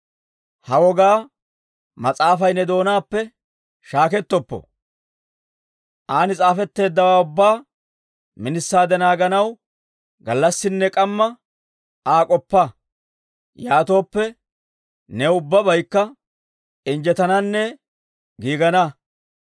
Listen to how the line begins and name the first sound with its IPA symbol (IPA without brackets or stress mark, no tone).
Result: h